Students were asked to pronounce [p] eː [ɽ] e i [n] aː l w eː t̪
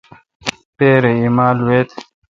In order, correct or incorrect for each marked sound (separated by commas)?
correct, incorrect, incorrect